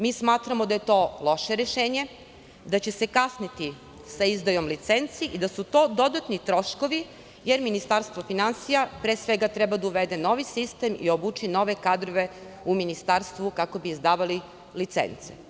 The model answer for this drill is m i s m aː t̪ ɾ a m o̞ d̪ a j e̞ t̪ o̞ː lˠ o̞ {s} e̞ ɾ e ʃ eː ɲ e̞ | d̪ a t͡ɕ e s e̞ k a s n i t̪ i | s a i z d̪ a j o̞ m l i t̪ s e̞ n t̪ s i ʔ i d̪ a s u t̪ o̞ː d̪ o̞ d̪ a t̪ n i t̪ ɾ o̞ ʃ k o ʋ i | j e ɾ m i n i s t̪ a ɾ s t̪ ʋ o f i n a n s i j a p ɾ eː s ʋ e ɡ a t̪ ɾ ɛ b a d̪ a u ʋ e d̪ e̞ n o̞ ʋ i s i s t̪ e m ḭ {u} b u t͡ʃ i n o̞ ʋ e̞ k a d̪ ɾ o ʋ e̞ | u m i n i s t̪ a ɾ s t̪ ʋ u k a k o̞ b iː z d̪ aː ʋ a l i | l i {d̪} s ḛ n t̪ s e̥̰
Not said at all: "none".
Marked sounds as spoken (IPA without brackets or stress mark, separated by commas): ʃ, o, t̪